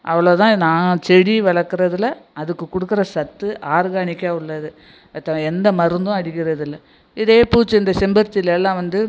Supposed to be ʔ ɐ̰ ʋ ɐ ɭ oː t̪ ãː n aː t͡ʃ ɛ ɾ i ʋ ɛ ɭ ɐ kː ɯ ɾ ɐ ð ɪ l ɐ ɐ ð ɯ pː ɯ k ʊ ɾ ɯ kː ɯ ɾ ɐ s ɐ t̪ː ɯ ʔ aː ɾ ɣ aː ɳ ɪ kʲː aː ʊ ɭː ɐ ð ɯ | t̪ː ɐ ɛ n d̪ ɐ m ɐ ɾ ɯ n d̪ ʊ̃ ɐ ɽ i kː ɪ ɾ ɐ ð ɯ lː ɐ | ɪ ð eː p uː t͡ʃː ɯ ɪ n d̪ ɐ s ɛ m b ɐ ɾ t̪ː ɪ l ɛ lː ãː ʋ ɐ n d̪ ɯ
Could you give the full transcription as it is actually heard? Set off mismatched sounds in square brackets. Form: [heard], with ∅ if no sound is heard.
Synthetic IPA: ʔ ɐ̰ ʋ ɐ ɭ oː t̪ ãː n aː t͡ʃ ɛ [ɽ] i ʋ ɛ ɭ ɐ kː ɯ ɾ ɐ ð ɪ l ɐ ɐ ð ɯ [kː] ɯ k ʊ [ɽ] ɯ kː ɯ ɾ ɐ s ɐ t̪ː ɯ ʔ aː ɾ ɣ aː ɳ ɪ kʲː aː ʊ ɭː ɐ ð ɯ | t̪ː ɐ ɛ n d̪ ɐ m ɐ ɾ ɯ n d̪ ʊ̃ ɐ ɽ [ɪ] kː ɪ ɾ ɐ ð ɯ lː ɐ | ɪ ð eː p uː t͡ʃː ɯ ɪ n d̪ ɐ s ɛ m b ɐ ɾ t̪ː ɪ l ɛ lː ãː ʋ ɐ n d̪ ɯ

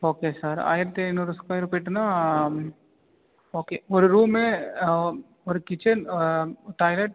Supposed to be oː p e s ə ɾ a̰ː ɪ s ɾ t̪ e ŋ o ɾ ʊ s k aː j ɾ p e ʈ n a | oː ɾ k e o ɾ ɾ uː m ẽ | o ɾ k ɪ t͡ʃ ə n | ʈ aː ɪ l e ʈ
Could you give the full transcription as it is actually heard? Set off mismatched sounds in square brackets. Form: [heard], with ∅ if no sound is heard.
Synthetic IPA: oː [k] e s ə ɾ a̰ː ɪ [∅] ɾ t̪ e [n] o ɾ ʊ s k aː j ɾ p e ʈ n a | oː [∅] k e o ɾ ɾ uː m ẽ | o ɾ k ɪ t͡ʃ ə n | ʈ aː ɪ l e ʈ

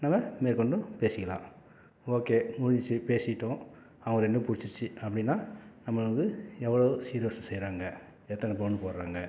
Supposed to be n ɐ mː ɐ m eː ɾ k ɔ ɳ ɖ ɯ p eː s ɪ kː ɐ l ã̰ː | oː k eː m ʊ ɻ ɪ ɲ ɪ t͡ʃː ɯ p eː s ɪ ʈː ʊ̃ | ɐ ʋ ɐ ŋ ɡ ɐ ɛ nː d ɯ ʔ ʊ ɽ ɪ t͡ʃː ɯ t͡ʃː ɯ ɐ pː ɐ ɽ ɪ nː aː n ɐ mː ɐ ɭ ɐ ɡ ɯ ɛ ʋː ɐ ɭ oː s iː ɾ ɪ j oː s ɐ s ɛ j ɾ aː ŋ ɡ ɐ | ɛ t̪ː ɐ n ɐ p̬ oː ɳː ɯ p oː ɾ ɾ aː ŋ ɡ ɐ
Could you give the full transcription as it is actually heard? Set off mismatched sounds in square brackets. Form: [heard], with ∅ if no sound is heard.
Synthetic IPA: n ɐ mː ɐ m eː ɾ k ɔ ɳ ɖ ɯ p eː s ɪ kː ɐ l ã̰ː | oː k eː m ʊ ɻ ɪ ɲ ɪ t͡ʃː ɯ p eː s ɪ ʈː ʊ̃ | ɐ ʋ ɐ ŋ ɡ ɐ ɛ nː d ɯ [p] ʊ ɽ ɪ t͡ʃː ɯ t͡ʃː ɯ ɐ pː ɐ ɽ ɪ nː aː n ɐ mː ɐ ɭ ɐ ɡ ɯ ɛ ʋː ɐ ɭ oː s iː ɾ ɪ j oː s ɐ s ɛ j ɾ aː ŋ ɡ ɐ | ɛ t̪ː ɐ n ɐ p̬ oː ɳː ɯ p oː ɾ ɾ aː ŋ ɡ ɐ

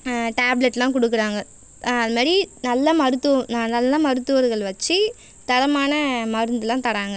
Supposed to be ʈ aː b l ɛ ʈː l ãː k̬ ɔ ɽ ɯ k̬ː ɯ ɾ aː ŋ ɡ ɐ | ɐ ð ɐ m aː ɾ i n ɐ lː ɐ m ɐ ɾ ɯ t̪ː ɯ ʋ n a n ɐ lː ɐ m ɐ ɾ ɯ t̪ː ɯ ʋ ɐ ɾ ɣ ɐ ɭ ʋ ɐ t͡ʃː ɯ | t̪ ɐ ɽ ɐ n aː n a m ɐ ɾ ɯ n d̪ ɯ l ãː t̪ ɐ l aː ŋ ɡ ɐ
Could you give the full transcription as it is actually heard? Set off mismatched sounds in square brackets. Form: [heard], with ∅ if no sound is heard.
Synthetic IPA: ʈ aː b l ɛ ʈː l ãː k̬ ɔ ɽ ɯ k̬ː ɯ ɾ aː ŋ ɡ ɐ | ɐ ð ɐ m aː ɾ i n ɐ lː ɐ m ɐ ɾ ɯ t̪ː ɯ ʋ n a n ɐ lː ɐ m ɐ ɾ ɯ t̪ː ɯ ʋ ɐ ɾ ɣ ɐ ɭ ʋ ɐ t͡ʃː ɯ | t̪ ɐ ɽ ɐ [m] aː n [ɐ] m ɐ ɾ ɯ n d̪ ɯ l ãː t̪ ɐ [ɽ] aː ŋ ɡ ɐ

